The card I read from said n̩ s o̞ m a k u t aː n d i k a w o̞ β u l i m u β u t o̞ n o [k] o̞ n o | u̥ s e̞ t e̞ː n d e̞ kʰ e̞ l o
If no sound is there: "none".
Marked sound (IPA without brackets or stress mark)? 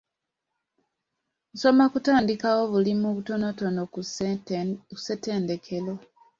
t